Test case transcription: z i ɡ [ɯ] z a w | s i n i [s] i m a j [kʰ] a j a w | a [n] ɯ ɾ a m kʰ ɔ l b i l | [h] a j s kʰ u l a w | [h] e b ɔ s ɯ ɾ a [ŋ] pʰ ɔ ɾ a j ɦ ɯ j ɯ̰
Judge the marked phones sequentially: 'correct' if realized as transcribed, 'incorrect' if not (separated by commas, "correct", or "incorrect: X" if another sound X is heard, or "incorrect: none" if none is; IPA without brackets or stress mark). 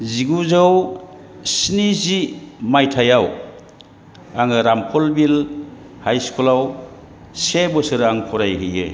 incorrect: u, incorrect: z, incorrect: tʰ, incorrect: ŋ, correct, incorrect: s, correct